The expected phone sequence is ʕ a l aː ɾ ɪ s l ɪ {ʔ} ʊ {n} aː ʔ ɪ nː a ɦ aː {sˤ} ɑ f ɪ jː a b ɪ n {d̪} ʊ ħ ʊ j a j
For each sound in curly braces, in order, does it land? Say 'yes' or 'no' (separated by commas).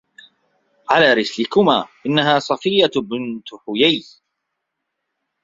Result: no, no, yes, no